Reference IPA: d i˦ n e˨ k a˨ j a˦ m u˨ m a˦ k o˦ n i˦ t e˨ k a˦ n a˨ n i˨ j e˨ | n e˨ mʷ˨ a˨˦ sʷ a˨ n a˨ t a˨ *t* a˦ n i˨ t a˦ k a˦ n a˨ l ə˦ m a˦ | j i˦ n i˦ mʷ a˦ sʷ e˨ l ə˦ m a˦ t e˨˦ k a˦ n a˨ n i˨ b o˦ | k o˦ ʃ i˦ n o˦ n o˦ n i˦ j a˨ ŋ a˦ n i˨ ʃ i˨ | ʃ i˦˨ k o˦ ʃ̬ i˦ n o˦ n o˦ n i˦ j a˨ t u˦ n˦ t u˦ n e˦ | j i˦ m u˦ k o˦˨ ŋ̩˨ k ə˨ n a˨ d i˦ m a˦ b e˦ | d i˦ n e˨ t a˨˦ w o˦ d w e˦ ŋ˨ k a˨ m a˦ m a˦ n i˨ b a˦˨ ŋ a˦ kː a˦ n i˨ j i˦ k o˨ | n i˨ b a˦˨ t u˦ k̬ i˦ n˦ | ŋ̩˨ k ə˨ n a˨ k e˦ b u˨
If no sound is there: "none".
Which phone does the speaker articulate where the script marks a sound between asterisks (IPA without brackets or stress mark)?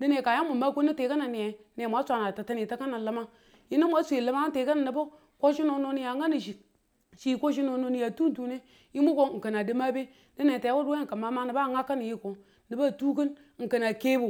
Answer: t